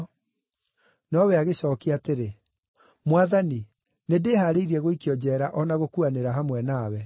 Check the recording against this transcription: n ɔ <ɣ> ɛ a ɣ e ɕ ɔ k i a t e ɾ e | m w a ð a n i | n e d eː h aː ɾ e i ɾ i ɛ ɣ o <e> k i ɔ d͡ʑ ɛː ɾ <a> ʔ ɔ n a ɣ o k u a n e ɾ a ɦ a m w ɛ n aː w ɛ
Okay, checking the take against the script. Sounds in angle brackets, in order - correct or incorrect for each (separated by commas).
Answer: incorrect, incorrect, correct